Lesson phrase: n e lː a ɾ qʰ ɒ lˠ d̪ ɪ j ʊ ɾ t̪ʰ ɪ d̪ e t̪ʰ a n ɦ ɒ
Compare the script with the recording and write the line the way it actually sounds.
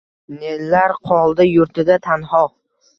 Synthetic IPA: n e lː a ɾ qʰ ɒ lˠ d̪ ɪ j ʊ ɾ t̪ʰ ɪ d̪ a t̪ʰ a n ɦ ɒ